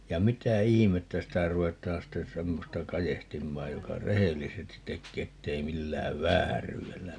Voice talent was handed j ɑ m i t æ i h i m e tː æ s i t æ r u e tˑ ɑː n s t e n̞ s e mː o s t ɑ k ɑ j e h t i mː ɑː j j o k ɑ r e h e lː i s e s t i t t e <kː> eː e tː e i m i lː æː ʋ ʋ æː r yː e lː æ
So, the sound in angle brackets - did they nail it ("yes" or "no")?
yes